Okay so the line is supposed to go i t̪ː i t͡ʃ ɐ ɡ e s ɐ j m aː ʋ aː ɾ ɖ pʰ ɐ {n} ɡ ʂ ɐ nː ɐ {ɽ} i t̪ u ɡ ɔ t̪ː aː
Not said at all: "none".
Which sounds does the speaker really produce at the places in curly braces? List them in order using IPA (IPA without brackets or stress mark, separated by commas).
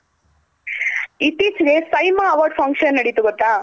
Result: ŋ, ɽ